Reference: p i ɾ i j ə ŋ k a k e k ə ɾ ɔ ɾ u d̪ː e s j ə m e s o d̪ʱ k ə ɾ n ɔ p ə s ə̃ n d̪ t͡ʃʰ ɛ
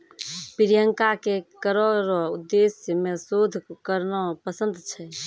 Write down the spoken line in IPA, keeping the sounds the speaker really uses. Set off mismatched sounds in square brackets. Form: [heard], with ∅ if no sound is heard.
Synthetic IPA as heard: p i ɾ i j ə ŋ k a k e k ə ɾ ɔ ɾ u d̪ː e s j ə m e s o d̪ʱ k ə ɾ n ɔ p ə s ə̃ n d̪ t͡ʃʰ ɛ